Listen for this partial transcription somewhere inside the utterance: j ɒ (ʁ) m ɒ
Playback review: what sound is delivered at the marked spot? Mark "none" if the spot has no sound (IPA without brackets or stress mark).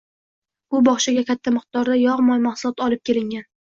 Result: ʁ